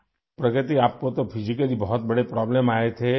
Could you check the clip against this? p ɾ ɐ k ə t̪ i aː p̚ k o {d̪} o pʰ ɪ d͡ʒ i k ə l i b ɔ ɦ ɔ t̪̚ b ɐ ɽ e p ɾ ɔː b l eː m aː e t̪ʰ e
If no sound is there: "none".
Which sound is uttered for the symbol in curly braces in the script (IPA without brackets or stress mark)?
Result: t̪